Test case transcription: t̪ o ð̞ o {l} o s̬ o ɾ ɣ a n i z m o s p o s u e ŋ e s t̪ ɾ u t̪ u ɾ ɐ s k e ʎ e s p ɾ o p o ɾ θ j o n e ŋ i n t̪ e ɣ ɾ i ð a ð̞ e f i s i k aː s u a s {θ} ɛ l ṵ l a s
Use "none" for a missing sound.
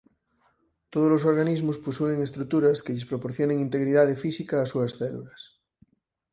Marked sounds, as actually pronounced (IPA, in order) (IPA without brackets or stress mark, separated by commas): l, θ